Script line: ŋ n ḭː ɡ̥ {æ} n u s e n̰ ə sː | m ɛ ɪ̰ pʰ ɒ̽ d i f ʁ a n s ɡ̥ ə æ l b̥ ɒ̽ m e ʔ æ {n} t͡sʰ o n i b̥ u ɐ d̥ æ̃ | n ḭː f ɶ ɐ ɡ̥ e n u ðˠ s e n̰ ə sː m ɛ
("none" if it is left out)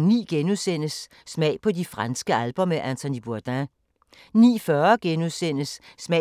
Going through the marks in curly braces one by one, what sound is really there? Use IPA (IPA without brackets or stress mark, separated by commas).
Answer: e, n